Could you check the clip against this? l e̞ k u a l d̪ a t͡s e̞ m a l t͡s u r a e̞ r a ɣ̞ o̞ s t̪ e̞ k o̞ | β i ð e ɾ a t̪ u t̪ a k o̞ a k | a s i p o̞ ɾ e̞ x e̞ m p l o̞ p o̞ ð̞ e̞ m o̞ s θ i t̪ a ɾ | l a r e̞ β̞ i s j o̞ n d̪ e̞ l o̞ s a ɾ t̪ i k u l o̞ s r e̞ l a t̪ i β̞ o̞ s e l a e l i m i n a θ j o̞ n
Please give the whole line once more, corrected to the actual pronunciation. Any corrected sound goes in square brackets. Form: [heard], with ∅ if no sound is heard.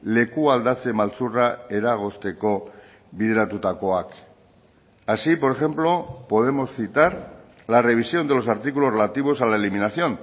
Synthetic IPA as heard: l e̞ k u a l d̪ a t͡s e̞ m a l t͡s u r a e̞ [ɾ] a ɣ̞ o̞ s t̪ e̞ k o̞ | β i ð e ɾ a t̪ u t̪ a k o̞ a k | a s i p o̞ ɾ e̞ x e̞ m p l o̞ p o̞ ð̞ e̞ m o̞ s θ i t̪ a ɾ | l a r e̞ β̞ i s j o̞ n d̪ e̞ l o̞ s a ɾ t̪ i k u l o̞ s r e̞ l a t̪ i β̞ o̞ s [a] l a e l i m i n a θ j o̞ n